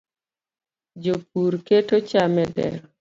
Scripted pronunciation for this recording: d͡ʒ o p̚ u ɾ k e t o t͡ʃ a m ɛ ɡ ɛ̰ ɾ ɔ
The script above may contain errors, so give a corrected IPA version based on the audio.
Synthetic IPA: d͡ʒ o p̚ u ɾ k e t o t͡ʃ a m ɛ d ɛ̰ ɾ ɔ